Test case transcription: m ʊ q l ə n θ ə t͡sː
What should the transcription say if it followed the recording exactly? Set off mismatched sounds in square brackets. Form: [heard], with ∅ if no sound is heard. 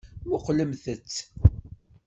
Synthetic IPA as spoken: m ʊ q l ə [m] θ ə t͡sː